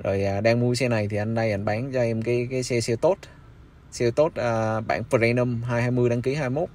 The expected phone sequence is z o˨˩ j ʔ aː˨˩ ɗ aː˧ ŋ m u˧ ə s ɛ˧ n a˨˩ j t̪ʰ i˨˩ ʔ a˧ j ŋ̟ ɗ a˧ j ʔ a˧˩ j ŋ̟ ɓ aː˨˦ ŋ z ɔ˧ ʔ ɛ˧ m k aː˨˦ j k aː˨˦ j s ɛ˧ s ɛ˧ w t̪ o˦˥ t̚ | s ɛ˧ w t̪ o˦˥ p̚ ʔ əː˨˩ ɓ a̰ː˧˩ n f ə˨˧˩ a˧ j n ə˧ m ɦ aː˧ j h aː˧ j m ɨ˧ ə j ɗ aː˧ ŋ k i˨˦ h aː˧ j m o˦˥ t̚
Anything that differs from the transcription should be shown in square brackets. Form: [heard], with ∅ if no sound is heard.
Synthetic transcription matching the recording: z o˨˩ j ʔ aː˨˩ ɗ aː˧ ŋ m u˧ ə s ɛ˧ n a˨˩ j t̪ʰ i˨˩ ʔ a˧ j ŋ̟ ɗ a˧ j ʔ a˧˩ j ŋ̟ ɓ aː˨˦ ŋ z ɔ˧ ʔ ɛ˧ m k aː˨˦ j k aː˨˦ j s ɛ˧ s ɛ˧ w t̪ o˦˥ t̚ | s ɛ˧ w t̪ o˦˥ [t̚] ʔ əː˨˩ ɓ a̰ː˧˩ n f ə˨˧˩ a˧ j n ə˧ m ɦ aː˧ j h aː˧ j m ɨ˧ ə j ɗ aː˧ ŋ k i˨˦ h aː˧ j m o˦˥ t̚